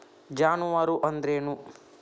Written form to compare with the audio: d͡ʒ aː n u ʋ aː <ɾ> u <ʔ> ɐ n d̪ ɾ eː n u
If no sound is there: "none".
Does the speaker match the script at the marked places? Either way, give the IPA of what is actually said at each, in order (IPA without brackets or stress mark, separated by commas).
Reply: ɾ, ʔ